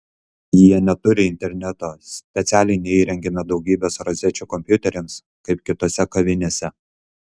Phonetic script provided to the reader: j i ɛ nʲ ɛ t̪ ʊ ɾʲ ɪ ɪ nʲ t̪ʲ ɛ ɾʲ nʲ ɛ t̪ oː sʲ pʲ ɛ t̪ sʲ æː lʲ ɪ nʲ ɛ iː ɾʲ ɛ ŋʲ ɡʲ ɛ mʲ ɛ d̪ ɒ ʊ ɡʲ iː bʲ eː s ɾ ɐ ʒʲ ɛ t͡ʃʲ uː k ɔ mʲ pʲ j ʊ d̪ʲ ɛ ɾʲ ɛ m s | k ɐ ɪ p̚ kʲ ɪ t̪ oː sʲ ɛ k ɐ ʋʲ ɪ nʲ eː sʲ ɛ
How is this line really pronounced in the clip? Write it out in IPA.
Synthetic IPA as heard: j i ɛ nʲ ɛ t̪ ʊ ɾʲ ɪ ɪ nʲ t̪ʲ ɛ ɾʲ nʲ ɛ t̪ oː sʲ pʲ ɛ t̪ sʲ æː lʲ ɪ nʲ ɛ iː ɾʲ ɛ ŋʲ ɡʲ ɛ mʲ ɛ d̪ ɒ ʊ ɡʲ iː bʲ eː s ɾ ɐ zʲ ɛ t͡ʃʲ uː k ɔ mʲ pʲ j ʊ t̪ʲ ɛ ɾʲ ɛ m s | k ɐ ɪ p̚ kʲ ɪ t̪ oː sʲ ɛ k ɐ ʋʲ ɪ nʲ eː sʲ ɛ